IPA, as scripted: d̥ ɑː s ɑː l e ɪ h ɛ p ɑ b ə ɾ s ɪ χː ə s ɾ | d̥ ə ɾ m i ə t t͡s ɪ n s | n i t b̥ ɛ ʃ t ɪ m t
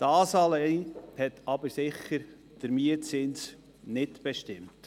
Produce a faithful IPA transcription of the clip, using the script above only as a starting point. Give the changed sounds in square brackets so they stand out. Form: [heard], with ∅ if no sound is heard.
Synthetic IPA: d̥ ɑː s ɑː l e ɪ h ɛ [t] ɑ b ə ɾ s ɪ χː ə [∅] ɾ | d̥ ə ɾ m i ə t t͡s ɪ n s | n [ɪ] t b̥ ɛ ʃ t ɪ m t